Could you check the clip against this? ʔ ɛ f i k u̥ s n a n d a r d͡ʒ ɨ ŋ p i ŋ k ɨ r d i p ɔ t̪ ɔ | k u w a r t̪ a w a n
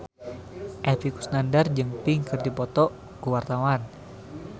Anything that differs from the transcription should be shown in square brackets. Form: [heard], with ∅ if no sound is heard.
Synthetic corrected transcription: ʔ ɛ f i k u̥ s n a n d a r d͡ʒ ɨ ŋ p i ŋ k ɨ r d i p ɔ t̪ ɔ | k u w a r t̪ a w a n